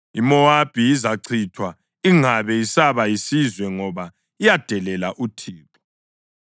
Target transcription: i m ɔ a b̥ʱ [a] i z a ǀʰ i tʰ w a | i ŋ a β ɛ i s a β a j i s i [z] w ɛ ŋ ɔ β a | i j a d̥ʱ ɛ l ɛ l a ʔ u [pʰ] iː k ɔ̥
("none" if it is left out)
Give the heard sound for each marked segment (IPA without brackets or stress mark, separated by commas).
i, z, tʰ